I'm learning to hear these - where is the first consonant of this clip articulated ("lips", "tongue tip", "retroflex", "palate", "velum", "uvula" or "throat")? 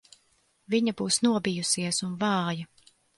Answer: lips